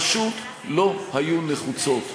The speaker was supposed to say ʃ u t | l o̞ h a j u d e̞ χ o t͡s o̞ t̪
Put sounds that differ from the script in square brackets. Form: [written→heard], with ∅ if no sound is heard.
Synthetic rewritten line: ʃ u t | l o̞ h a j u [d→n] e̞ χ [o→u] t͡s o̞ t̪